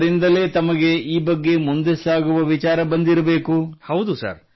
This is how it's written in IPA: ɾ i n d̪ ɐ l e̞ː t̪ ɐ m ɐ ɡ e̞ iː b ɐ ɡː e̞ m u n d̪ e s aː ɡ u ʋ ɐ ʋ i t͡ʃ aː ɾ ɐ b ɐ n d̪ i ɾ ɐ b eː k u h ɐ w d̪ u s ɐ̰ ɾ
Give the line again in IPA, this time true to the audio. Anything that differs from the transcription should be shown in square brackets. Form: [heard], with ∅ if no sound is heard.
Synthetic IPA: ɾ i n d̪ ɐ l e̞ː t̪ ɐ m ɐ ɡ e̞ iː b ɐ ɡː e̞ m u n d̪ e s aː ɡ u ʋ ɐ ʋ i t͡ʃ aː ɾ ɐ b ɐ n d̪ i ɾ ɐ b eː k u h ɐ w d̪ u s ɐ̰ ɾ